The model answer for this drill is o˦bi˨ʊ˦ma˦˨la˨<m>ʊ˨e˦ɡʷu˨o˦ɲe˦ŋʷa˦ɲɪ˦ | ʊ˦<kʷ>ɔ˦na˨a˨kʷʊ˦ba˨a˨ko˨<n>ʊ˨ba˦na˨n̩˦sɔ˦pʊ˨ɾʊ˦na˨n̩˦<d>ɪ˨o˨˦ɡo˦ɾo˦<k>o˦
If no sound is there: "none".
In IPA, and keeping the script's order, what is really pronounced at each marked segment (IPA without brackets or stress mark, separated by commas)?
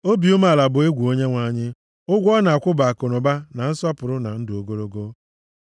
b, ɡʷ, n, d, ɡ